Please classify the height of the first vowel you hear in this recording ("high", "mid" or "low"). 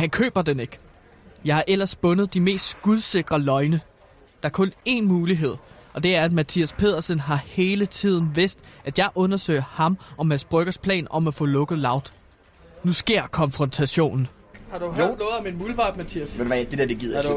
low